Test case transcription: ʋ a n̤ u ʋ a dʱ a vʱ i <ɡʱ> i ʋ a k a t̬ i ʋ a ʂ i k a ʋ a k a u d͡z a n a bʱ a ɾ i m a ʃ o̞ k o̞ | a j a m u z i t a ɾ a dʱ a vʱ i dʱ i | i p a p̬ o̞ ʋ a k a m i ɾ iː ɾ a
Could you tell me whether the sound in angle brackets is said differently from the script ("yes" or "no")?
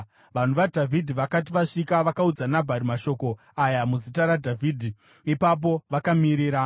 yes